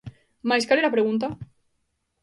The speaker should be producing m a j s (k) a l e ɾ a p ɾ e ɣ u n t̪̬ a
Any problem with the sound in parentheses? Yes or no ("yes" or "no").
no